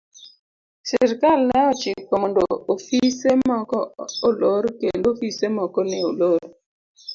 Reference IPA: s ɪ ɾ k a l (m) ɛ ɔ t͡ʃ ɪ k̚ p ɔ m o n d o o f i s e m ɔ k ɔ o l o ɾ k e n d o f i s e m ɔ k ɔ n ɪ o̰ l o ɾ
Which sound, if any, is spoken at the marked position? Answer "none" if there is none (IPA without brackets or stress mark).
n